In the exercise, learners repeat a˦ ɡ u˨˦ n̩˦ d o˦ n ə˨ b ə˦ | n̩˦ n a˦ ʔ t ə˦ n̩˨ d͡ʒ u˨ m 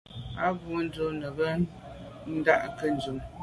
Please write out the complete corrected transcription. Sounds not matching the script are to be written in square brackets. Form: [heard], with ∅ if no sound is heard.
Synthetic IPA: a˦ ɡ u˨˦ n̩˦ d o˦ n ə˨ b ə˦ | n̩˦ [d] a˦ ʔ [k] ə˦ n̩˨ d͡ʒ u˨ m